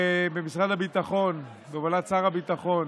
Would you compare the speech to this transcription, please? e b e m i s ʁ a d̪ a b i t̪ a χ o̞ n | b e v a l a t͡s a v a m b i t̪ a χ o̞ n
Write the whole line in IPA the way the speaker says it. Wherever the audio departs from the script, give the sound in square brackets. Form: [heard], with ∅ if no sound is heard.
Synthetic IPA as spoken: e b e m i s ʁ a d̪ a b i t̪ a χ o̞ n | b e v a l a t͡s a [ʁ] a [∅] b i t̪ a χ o̞ n